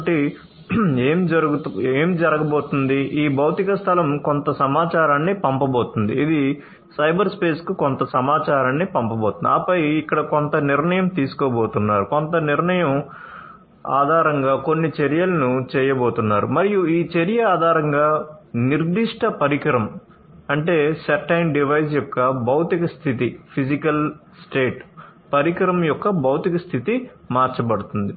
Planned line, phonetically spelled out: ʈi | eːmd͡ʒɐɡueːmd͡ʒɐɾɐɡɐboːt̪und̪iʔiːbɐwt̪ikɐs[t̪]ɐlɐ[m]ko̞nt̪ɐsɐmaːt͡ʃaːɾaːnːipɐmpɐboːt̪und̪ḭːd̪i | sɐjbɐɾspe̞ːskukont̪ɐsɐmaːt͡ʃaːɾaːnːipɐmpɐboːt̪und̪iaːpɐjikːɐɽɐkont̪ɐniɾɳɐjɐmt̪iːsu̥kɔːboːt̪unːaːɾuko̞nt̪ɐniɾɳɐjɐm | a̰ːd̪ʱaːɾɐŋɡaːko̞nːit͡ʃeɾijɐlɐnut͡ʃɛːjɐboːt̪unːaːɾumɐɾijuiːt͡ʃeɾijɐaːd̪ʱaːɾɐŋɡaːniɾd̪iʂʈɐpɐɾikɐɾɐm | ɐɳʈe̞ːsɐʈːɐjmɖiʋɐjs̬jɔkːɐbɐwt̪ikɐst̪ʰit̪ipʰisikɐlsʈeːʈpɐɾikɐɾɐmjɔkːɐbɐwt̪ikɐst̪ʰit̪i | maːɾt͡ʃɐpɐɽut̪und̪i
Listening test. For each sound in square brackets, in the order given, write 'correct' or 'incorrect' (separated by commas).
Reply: incorrect, correct